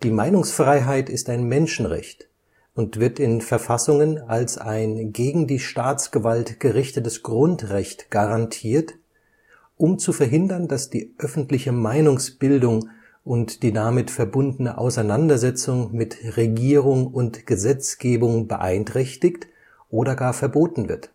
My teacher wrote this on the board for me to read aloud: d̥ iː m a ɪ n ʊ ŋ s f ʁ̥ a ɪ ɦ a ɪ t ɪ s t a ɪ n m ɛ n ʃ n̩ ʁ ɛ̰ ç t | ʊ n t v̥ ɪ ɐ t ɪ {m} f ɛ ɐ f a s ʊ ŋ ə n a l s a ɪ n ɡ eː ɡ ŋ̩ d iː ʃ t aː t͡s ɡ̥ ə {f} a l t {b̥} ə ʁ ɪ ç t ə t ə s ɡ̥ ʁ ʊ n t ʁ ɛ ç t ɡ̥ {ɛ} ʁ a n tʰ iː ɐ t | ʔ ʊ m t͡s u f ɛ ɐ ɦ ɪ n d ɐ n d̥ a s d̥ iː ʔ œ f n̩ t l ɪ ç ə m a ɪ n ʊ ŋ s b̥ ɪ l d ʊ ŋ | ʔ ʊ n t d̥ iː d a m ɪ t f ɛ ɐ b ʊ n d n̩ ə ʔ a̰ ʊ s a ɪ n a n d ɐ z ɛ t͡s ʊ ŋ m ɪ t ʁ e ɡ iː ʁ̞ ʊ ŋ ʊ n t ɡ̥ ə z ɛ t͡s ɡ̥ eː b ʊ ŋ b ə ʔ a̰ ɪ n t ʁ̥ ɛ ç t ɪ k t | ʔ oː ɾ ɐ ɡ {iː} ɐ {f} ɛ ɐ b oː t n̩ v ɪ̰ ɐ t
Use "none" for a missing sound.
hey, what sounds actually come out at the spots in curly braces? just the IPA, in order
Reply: n, v, ɡ̥, a, aː, f

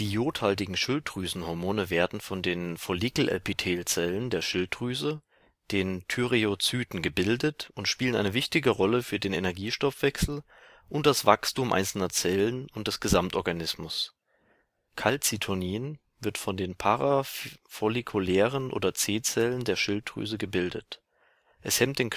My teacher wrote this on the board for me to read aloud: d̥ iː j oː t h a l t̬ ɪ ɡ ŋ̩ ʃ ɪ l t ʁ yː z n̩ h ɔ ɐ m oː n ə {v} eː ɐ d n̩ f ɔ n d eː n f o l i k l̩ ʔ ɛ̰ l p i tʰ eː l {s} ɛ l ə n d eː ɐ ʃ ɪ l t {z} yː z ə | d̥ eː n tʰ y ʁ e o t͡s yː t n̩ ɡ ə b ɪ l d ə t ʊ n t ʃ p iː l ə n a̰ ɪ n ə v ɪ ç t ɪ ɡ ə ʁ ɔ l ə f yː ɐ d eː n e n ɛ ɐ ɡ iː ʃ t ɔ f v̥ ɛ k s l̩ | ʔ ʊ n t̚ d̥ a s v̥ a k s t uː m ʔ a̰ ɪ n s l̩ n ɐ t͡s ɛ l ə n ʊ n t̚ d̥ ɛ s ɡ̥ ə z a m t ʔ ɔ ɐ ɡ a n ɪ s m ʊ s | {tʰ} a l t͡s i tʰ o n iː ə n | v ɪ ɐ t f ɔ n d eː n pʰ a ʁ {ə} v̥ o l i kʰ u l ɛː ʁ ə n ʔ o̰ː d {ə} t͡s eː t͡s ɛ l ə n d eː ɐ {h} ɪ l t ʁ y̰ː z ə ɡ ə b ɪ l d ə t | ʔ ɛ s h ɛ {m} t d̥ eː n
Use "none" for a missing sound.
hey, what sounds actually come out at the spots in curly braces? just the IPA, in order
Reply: v, t͡s, ʁ, kʰ, a, ɐ, ʃ, m

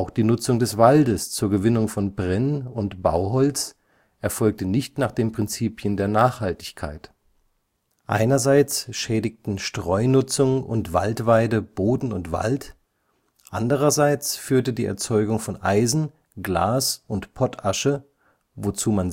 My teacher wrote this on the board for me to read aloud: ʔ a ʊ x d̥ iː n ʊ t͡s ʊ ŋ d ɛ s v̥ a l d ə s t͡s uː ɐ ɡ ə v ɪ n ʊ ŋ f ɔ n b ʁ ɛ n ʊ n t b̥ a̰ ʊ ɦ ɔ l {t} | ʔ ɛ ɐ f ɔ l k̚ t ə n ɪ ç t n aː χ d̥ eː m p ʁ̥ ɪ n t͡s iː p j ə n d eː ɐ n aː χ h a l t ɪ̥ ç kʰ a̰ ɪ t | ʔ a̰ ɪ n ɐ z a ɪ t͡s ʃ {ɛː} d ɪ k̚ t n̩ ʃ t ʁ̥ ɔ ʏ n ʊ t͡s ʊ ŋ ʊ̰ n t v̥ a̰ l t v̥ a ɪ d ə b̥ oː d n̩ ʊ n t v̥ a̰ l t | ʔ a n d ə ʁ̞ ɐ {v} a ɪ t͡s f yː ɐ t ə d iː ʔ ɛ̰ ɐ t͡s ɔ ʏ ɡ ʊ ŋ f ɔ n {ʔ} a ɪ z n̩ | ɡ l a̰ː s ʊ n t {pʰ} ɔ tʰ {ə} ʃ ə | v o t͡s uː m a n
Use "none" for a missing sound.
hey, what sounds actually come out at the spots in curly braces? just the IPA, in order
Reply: t͡s, ɛː, z, ʔ, pʰ, a

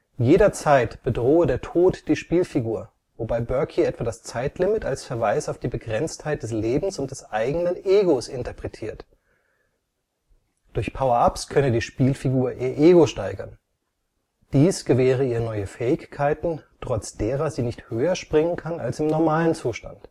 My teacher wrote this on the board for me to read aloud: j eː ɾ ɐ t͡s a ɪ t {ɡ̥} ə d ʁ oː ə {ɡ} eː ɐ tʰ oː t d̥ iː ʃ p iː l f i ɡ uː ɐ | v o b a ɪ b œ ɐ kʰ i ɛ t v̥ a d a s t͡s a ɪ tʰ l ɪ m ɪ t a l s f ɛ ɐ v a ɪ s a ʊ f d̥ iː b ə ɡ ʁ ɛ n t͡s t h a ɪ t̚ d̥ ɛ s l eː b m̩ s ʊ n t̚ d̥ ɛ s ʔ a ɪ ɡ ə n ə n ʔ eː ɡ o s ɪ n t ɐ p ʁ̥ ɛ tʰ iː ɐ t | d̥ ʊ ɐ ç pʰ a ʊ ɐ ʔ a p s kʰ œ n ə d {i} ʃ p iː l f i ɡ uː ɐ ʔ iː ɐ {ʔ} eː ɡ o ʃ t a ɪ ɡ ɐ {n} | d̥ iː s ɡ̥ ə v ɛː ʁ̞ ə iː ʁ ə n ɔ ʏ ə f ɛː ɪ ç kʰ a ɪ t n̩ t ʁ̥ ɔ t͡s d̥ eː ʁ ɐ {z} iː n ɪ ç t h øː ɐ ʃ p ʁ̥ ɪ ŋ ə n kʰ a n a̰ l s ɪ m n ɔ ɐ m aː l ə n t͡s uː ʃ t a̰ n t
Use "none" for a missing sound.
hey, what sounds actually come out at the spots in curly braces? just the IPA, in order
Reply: b̥, d, iː, ʔ, n, z

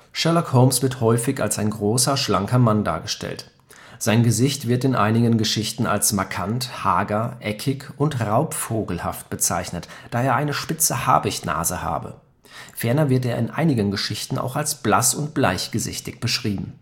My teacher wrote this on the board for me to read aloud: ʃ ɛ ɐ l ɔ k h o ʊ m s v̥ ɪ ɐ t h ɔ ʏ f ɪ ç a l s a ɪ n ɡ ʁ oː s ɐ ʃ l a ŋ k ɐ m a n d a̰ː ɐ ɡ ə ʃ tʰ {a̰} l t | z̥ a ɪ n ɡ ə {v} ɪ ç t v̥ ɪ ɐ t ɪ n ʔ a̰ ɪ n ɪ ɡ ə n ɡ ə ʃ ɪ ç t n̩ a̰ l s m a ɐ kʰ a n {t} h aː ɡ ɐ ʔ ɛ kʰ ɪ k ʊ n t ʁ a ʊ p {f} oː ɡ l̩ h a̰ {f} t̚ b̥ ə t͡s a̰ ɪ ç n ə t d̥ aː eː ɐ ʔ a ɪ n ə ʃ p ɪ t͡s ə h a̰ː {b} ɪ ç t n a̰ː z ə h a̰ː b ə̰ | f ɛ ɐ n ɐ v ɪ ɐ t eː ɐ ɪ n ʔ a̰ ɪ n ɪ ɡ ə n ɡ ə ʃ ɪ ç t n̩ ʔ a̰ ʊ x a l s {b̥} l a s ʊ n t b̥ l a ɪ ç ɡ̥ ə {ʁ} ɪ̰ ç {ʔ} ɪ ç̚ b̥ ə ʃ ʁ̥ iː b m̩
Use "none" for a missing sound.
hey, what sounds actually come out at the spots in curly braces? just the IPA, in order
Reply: ɛ̰, z, t, f, f, b, b̥, z, t

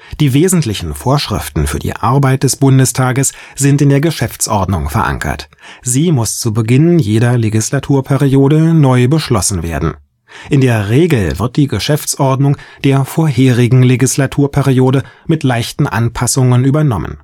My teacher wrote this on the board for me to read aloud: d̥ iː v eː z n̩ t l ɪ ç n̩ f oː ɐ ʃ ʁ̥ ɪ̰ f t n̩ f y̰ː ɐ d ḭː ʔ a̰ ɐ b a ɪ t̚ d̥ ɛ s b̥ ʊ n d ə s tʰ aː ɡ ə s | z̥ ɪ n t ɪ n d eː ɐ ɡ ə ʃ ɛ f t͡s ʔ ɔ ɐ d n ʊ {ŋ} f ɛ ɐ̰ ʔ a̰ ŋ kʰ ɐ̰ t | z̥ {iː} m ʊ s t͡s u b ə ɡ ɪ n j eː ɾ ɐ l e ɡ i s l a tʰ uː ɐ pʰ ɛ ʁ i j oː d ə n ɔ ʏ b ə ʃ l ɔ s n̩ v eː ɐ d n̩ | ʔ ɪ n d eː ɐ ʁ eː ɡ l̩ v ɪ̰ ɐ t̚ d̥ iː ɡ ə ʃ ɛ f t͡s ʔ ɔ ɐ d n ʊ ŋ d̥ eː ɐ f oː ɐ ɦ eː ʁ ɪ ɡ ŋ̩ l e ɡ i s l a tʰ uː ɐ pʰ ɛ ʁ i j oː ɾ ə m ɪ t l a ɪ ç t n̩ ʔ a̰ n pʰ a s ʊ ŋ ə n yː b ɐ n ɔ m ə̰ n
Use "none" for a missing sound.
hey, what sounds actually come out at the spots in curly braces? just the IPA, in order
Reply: ŋ, iː

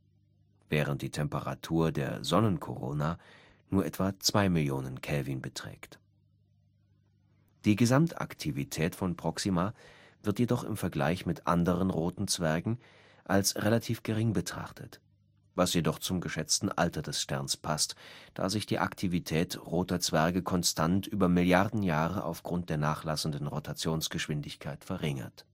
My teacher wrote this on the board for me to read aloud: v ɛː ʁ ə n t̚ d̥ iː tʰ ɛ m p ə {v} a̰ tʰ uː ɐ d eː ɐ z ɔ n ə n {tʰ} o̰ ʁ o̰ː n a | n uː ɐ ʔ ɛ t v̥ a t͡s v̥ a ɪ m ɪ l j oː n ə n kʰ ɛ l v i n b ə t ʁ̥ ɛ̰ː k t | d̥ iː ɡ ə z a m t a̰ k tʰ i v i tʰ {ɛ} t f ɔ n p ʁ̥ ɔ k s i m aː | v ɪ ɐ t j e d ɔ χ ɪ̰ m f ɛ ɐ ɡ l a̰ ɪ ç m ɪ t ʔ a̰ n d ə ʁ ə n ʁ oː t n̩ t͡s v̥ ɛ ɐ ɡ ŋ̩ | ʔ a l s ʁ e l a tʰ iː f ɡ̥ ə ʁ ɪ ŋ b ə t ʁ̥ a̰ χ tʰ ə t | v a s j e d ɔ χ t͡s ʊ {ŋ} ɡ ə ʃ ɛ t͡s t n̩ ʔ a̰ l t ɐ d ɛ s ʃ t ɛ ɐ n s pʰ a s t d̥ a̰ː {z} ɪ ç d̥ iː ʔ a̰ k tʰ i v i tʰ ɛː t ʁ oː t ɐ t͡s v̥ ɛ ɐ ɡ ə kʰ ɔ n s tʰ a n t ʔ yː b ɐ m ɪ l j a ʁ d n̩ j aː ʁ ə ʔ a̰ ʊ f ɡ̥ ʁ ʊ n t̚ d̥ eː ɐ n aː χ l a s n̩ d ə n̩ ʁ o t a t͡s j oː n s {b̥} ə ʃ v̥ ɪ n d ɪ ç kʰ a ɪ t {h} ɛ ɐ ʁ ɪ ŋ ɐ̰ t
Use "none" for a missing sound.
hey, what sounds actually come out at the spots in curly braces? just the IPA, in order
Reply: ʁ, kʰ, ɛː, m, z, ɡ̥, f

